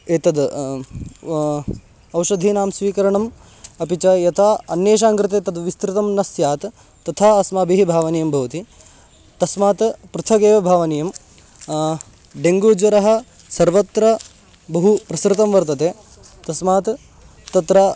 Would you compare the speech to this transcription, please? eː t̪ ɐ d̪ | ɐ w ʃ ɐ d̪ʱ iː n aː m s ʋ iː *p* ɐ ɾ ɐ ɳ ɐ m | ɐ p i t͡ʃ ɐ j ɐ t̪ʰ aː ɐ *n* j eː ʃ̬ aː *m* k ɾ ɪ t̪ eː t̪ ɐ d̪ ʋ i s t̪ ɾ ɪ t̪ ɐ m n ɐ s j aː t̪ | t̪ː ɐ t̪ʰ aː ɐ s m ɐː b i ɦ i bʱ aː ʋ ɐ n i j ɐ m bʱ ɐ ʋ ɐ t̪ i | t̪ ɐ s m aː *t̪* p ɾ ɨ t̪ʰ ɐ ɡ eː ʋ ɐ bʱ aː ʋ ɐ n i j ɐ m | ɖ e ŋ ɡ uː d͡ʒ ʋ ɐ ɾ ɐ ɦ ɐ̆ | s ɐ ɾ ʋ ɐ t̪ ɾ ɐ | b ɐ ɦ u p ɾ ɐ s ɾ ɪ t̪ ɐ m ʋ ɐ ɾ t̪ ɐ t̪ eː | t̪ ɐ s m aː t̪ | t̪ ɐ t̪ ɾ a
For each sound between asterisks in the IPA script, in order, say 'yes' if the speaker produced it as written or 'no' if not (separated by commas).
no, yes, no, yes